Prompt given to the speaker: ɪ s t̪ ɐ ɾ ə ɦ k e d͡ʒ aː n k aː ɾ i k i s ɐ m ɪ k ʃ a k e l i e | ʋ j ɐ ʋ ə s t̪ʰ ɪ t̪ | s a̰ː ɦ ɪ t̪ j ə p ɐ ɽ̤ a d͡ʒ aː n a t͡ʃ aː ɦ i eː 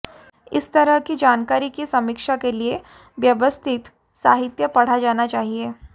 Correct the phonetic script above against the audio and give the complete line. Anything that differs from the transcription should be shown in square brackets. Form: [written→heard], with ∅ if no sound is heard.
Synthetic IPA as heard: ɪ s t̪ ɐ ɾ ə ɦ k [e→i] d͡ʒ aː n k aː ɾ i k i s ɐ m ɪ k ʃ a k e l i e | ʋ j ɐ ʋ ə s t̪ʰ ɪ t̪ | s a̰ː ɦ ɪ t̪ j ə p ɐ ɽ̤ a d͡ʒ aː n a t͡ʃ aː ɦ i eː